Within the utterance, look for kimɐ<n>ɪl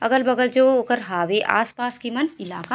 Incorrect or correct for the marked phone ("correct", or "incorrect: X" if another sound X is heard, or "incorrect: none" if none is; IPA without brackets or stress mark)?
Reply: correct